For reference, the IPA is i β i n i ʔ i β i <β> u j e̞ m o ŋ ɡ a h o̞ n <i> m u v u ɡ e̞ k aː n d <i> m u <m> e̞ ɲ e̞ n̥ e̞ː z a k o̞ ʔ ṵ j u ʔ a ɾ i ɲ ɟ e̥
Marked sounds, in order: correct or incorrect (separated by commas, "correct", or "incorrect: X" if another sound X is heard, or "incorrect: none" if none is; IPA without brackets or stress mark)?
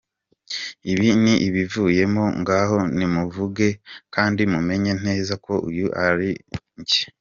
incorrect: v, correct, correct, correct